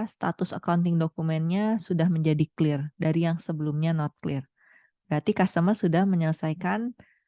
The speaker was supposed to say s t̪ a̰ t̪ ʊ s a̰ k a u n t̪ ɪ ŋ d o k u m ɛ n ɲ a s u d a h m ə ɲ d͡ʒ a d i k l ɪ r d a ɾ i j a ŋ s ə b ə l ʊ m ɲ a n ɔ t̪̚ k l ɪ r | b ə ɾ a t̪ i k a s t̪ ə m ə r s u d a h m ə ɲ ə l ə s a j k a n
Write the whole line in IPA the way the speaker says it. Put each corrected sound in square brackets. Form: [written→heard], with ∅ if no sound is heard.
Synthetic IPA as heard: s t̪ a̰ t̪ ʊ s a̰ k a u n t̪ ɪ ŋ d o k u m ɛ n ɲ a s u d a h m ə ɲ d͡ʒ a d i k l ɪ r d a ɾ i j a ŋ s ə b ə l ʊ m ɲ a n ɔ t̪̚ k l ɪ r | b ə ɾ a t̪ i k a s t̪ ə m ə r s u d a h m ə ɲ ə l ə s a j k a n